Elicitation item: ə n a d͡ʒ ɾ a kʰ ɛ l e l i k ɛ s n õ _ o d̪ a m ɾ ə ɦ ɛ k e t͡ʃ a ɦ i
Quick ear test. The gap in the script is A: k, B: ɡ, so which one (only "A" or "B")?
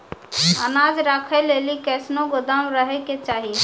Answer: B